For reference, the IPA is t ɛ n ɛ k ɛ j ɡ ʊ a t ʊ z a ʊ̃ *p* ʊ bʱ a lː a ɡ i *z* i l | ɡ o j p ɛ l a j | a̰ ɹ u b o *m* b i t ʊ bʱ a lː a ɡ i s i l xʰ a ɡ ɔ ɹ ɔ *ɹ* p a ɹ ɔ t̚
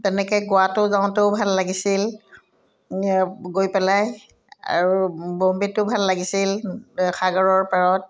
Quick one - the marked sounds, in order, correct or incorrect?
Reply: incorrect: t, incorrect: s, correct, correct

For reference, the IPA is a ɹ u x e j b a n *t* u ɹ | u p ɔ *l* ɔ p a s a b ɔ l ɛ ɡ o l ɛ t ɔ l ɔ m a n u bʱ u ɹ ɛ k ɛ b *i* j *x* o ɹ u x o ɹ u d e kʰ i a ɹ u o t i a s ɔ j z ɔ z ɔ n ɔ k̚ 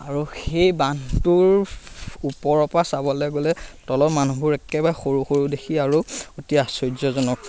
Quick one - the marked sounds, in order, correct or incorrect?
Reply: correct, incorrect: ɹ, incorrect: a, correct

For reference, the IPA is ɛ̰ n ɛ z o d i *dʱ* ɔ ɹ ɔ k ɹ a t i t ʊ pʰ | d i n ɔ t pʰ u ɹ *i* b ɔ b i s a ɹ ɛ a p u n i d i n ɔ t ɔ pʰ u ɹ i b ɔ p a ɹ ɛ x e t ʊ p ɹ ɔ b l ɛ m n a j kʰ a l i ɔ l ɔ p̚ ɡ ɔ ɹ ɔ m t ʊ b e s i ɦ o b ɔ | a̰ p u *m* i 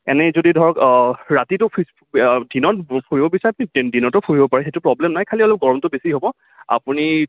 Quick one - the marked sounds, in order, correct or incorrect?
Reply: correct, correct, incorrect: n

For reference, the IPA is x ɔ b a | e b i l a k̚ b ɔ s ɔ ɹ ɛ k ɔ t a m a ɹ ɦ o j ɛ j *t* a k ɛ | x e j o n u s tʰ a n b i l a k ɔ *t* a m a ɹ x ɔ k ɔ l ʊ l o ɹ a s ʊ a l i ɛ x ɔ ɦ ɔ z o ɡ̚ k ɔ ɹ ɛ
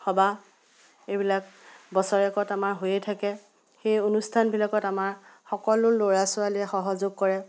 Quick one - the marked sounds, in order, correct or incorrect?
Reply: incorrect: tʰ, correct

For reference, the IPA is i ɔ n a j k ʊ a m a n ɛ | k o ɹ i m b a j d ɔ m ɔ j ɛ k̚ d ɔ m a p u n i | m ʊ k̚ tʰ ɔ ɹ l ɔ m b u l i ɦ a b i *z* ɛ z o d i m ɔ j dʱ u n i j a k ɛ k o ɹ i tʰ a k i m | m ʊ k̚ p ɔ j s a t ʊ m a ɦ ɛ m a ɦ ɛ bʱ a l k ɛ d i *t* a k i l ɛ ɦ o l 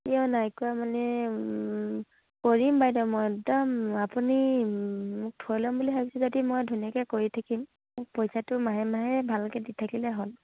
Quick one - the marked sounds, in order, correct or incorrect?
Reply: incorrect: s, incorrect: tʰ

